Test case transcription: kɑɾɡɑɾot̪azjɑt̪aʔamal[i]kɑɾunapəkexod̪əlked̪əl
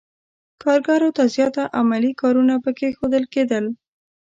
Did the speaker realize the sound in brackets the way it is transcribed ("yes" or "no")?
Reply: yes